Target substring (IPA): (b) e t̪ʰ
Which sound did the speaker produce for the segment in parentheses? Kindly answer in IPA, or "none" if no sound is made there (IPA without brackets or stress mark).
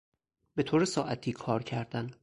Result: b